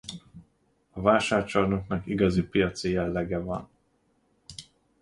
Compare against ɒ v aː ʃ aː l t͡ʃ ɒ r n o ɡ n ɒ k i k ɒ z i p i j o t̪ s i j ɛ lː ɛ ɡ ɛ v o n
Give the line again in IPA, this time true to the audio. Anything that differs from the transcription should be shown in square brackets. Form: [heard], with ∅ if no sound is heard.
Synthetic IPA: ɒ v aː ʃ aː [r] t͡ʃ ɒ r n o [k] n ɒ k i [ɡ] ɒ z i p i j [ɒ] t̪ s i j ɛ lː ɛ ɡ ɛ v [ɒ] n

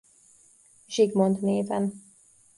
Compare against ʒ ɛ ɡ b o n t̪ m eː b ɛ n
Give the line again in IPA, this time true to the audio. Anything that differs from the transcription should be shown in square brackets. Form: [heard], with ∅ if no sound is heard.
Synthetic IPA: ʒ [i] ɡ [m] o n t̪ [n] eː [v] ɛ n

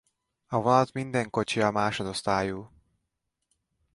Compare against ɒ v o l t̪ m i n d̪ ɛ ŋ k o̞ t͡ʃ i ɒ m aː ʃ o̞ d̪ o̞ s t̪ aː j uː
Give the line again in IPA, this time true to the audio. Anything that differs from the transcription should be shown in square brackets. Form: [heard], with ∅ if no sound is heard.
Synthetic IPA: ɒ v [ɒ] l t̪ m i n d̪ ɛ ŋ k o̞ t͡ʃ i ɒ m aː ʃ o̞ d̪ o̞ s t̪ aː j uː

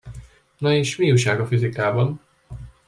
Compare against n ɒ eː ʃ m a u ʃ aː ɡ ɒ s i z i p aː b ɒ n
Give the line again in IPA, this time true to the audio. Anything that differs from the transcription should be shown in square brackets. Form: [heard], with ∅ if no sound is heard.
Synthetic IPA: n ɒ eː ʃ m [i] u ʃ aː ɡ ɒ [f] i z i [k] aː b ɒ n

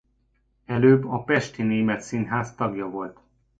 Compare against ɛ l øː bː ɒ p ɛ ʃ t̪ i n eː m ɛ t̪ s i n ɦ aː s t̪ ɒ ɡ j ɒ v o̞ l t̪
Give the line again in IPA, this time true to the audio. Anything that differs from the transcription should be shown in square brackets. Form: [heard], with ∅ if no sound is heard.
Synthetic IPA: ɛ l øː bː ɒ p ɛ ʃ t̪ i n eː m ɛ t̪ s i n ɦ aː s t̪ ɒ ɡ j ɒ v o̞ l t̪

